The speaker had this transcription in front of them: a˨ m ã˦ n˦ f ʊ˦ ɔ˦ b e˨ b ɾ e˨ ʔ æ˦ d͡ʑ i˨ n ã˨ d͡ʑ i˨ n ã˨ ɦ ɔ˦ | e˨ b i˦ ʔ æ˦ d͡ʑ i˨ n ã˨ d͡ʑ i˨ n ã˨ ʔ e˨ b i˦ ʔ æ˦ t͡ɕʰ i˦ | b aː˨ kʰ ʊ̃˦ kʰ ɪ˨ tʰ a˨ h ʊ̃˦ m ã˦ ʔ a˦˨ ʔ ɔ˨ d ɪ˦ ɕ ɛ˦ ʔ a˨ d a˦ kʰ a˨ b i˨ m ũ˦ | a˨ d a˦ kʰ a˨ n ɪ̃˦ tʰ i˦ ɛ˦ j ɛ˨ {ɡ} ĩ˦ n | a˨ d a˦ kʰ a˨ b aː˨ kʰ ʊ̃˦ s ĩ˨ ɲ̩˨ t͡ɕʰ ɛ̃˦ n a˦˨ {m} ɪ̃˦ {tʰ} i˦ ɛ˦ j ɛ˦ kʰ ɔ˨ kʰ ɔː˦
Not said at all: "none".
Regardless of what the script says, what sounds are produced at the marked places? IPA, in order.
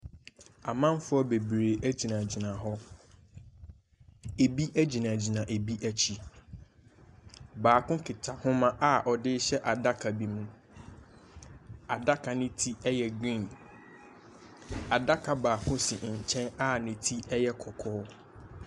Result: ɡ, n, tʰ

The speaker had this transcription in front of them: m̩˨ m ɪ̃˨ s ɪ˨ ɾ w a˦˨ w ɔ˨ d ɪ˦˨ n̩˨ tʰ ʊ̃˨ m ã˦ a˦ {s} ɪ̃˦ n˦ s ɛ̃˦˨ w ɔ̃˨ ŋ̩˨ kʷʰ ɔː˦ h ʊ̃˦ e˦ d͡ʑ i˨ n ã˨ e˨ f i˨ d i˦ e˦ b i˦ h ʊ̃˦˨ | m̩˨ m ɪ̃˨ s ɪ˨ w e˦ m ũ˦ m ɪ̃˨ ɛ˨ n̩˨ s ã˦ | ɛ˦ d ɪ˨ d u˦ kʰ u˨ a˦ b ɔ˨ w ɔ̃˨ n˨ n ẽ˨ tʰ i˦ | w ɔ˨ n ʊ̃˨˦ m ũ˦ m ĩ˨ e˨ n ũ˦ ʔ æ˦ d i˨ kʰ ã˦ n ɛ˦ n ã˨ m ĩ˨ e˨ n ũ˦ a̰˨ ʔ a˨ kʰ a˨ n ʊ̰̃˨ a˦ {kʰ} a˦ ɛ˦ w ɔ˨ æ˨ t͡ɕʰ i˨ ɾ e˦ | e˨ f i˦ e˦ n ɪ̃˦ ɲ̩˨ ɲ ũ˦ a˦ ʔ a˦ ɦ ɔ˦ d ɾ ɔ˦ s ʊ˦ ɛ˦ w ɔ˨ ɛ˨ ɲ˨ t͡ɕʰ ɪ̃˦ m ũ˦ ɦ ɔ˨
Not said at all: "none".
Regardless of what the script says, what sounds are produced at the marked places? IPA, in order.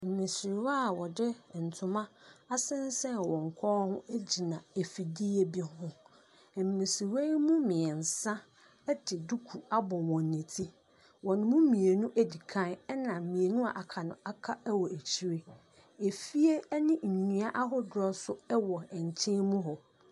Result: s, kʰ

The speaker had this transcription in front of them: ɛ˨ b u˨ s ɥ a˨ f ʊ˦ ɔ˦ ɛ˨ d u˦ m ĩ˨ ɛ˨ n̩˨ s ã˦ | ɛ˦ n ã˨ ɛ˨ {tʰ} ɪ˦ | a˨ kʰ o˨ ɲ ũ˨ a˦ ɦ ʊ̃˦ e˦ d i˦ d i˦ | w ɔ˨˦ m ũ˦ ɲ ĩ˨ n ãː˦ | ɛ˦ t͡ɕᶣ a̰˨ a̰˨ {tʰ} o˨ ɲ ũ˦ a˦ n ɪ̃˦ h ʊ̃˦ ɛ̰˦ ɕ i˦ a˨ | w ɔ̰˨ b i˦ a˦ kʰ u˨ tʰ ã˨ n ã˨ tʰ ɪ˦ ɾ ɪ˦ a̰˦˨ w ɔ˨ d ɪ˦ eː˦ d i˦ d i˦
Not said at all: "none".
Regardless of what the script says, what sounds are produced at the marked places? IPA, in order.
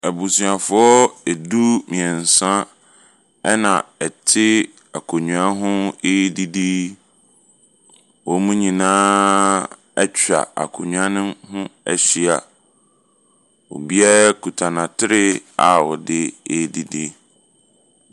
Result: tʰ, kʰ

